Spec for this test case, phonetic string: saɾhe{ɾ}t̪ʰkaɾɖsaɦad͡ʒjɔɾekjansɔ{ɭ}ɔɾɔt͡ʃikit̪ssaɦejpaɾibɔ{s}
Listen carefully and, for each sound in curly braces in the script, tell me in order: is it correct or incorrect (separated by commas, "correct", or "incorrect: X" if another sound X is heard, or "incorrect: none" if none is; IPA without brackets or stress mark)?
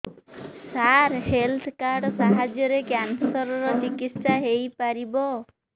incorrect: l, incorrect: ɾ, incorrect: none